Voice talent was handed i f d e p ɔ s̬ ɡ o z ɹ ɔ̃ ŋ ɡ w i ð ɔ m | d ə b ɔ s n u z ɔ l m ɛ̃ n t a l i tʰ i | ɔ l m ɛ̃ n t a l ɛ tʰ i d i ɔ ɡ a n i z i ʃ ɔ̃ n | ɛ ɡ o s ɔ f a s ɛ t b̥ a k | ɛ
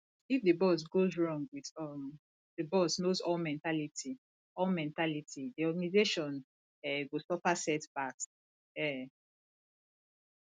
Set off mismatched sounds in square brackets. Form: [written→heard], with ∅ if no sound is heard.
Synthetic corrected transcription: i f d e [p→b] ɔ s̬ ɡ o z ɹ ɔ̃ ŋ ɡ w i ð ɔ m | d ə b ɔ s n [u→o] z ɔ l m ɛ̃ n t a l i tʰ i | ɔ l m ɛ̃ n t a l [ɛ→i] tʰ i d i ɔ ɡ a n i z [i→e] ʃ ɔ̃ n | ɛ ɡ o s ɔ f a s ɛ t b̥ a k | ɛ